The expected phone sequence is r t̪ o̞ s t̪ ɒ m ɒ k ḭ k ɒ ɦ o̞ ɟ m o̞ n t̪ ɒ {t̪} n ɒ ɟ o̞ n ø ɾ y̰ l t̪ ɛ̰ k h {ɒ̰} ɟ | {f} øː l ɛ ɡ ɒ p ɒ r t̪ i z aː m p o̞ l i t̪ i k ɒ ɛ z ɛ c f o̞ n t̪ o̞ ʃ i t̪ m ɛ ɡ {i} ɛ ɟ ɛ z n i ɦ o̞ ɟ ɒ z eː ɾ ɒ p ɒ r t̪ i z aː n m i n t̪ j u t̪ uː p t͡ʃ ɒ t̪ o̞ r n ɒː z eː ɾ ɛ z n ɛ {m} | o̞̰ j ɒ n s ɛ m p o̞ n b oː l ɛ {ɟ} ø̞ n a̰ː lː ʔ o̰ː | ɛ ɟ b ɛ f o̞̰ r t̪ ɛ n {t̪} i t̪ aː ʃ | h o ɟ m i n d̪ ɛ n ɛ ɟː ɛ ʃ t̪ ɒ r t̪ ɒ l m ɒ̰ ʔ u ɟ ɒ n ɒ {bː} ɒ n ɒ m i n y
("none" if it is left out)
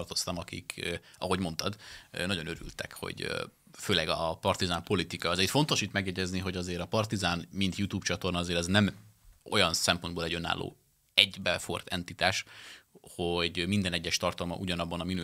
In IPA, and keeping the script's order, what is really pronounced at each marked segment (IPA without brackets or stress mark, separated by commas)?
d̪, o̰, f, j, m, ɟ, t̪, bː